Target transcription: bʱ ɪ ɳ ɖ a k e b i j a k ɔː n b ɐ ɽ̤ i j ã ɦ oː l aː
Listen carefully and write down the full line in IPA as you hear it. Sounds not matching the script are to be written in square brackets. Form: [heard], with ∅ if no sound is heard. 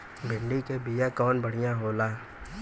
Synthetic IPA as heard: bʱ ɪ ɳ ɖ [i] k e b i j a k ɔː n b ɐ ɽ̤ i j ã ɦ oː l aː